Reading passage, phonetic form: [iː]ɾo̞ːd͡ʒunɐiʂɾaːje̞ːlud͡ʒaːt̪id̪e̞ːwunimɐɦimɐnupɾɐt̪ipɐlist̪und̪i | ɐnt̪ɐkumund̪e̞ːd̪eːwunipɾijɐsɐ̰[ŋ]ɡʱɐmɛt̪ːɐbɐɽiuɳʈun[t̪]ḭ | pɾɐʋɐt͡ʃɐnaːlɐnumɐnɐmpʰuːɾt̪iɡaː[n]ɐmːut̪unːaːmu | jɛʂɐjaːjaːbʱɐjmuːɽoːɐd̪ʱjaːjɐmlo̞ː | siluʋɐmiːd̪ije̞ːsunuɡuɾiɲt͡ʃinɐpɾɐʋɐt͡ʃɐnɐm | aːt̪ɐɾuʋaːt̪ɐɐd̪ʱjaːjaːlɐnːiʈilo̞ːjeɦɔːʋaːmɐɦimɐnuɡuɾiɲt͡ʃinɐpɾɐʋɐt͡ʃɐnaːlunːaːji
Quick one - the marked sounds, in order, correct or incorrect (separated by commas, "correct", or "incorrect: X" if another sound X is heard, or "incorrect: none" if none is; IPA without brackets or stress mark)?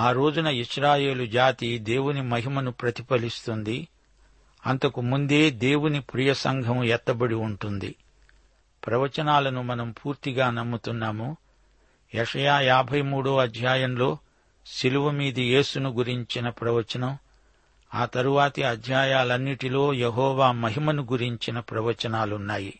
incorrect: aː, correct, incorrect: d̪, correct